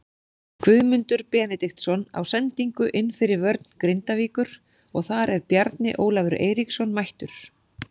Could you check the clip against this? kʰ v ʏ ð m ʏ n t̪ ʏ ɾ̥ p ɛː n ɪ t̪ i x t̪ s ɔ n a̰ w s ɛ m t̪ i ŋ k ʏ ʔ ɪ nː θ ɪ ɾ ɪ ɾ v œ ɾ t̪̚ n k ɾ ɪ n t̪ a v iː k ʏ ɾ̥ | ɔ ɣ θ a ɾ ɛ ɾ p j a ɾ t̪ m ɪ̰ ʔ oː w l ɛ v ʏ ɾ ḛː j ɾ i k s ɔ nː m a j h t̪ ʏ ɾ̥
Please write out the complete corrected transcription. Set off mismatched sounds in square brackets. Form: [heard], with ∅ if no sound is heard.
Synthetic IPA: kʰ v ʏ ð m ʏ n t̪ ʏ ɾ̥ p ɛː n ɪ t̪ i x t̪ s ɔ n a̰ w s ɛ [n] t̪ i ŋ k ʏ ʔ ɪ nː [f] ɪ ɾ ɪ ɾ v œ ɾ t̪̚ n k ɾ ɪ n t̪ a v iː k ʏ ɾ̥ | ɔ ɣ θ a ɾ ɛ ɾ p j a ɾ t̪ [n] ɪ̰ ʔ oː w l [a] v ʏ ɾ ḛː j ɾ i k s ɔ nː m a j h t̪ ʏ ɾ̥